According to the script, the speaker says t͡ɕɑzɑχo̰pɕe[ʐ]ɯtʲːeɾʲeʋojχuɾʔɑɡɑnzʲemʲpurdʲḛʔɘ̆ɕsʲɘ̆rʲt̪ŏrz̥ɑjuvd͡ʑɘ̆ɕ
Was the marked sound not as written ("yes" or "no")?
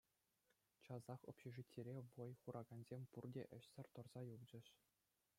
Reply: no